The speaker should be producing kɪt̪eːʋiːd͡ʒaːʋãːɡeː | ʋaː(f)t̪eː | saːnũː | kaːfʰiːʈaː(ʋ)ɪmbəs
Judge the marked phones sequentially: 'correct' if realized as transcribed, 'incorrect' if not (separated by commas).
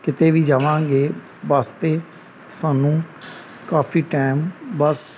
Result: incorrect, incorrect